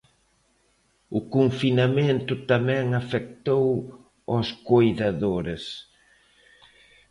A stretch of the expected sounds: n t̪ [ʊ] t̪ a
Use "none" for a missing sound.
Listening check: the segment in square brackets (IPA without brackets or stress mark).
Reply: ʊ